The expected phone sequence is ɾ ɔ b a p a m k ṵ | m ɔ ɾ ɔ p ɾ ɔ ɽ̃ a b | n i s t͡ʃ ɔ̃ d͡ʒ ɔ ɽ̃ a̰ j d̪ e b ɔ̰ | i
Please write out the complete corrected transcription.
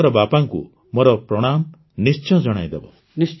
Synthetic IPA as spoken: ɾ ɔ b a p a ŋ k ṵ | m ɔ ɾ ɔ p ɾ ɔ ɽ̃ a m | n i s t͡ʃ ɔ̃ d͡ʒ ɔ ɽ̃ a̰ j d̪ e b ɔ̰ | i